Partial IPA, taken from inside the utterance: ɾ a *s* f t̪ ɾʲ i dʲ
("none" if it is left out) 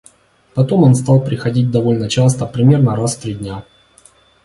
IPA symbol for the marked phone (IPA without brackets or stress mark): s